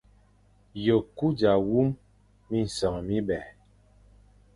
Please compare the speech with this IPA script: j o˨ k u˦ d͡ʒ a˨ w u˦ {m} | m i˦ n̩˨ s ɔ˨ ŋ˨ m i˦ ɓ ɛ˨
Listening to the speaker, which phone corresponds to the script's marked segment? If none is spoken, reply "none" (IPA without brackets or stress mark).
m